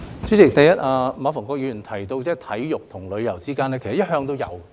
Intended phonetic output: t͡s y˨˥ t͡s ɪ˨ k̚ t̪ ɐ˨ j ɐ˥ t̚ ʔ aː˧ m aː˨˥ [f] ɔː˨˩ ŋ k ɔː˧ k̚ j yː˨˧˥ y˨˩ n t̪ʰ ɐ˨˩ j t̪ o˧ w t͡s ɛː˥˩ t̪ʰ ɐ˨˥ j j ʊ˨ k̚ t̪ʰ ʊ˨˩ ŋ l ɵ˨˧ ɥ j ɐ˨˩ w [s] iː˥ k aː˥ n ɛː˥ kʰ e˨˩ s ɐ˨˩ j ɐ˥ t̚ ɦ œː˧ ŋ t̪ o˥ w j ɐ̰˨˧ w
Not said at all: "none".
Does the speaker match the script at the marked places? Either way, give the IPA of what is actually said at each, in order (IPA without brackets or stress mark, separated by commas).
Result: f, t͡s